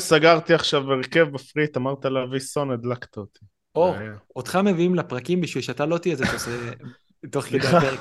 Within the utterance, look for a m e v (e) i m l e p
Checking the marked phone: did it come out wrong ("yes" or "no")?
yes